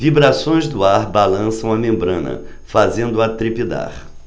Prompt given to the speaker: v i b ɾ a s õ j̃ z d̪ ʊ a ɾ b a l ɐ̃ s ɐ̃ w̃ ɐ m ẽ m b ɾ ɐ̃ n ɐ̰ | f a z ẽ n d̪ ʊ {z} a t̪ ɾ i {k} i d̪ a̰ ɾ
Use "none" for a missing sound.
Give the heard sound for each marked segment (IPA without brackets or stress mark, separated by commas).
none, p